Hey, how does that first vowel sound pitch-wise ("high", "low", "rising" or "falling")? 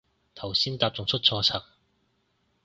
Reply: low